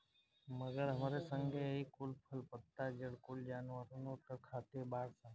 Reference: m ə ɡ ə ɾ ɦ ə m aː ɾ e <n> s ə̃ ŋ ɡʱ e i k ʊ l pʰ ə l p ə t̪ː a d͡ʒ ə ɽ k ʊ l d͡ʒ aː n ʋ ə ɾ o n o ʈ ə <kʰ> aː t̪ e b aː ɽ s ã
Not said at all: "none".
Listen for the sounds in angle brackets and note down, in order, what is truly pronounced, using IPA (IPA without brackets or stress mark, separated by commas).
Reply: none, kʰ